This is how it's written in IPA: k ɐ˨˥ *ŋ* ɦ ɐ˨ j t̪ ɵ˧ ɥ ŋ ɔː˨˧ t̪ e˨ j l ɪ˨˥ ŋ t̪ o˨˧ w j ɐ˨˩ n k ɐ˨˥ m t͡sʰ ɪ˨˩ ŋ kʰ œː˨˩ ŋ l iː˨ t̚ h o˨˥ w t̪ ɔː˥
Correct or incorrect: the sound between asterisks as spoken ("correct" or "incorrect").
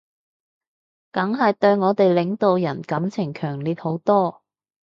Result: correct